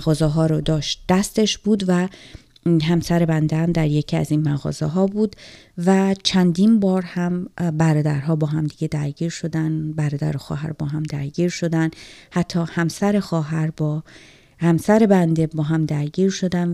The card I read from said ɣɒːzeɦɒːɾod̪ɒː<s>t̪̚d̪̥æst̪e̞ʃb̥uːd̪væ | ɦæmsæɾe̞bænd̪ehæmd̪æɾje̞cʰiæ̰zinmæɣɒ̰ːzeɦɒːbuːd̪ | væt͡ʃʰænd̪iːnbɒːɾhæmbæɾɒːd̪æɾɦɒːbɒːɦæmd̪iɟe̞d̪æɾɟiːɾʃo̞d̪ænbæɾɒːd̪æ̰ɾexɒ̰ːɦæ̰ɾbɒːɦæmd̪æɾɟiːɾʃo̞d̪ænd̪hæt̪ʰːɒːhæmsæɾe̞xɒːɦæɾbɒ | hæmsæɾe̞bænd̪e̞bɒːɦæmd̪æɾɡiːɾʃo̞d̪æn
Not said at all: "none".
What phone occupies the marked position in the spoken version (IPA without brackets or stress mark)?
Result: ʃ